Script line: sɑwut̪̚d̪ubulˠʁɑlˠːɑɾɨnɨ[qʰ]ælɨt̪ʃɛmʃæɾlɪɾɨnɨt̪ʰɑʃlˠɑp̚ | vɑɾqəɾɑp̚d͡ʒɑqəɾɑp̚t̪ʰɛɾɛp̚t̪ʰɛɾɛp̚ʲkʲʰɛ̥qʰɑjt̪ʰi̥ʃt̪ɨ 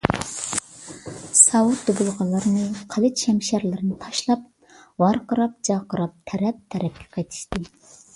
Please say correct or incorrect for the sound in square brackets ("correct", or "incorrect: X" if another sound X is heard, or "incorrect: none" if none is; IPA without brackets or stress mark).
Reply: correct